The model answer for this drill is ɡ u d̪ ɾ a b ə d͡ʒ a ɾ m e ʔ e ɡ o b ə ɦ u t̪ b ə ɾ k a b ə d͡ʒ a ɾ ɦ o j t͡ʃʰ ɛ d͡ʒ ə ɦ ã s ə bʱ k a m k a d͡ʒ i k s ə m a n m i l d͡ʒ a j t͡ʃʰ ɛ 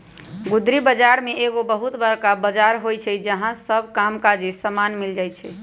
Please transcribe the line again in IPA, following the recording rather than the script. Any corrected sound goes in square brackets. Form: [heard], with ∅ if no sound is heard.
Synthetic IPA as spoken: ɡ u d̪ ɾ [i] b ə d͡ʒ a ɾ m e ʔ e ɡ o b ə ɦ u t̪ b ə ɾ k a b ə d͡ʒ a ɾ ɦ o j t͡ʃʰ ɛ d͡ʒ ə ɦ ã s ə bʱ k a m k a d͡ʒ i [∅] s ə m a n m i l d͡ʒ a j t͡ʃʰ ɛ